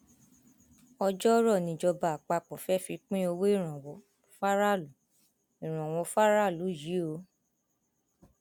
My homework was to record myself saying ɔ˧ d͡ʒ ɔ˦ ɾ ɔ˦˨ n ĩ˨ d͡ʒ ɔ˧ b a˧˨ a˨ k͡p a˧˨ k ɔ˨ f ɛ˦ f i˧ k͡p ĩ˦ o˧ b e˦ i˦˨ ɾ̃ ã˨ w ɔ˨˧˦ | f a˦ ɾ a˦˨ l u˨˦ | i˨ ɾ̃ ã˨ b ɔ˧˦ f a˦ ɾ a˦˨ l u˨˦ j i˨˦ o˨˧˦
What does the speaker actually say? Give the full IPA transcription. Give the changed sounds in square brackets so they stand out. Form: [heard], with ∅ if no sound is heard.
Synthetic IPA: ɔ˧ d͡ʒ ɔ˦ ɾ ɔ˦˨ n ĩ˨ d͡ʒ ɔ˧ b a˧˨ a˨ k͡p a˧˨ [k͡p] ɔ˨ f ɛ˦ f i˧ k͡p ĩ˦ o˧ [w] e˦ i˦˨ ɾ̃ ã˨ w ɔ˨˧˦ | f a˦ ɾ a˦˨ l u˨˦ | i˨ ɾ̃ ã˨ [w] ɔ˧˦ f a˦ ɾ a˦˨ l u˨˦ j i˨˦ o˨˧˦